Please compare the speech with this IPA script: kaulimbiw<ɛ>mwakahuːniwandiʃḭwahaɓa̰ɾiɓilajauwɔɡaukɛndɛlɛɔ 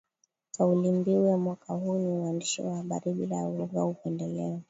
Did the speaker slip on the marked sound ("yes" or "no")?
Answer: no